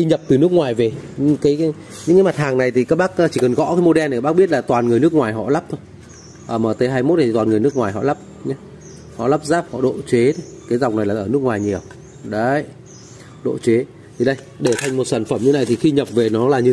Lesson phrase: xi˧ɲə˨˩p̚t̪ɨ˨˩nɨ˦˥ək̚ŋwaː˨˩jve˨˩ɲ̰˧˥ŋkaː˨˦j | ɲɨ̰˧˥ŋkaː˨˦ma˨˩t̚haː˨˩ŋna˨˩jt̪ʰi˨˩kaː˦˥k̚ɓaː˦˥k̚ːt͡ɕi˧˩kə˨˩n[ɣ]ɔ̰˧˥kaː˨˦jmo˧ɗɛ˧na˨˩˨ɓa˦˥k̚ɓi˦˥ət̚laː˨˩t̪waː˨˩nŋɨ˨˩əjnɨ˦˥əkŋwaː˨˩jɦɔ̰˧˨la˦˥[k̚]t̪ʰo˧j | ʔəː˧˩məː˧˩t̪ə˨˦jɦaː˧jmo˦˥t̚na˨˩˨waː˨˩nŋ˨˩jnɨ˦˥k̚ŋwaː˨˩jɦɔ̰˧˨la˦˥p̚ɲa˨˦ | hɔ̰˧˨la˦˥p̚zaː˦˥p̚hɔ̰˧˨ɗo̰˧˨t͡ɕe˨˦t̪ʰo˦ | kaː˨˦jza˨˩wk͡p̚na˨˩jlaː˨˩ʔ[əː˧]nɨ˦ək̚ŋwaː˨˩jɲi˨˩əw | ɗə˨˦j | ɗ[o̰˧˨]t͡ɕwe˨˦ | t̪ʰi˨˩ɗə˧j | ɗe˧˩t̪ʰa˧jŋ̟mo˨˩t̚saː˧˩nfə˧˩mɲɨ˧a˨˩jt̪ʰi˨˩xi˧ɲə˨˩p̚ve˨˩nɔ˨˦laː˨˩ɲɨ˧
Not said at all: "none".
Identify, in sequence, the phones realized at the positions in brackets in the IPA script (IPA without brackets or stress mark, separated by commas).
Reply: ɣ, p̚, əː˧˩, o̰˧˨